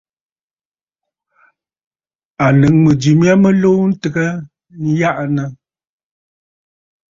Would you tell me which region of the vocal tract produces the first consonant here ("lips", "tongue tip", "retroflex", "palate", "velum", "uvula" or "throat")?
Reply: tongue tip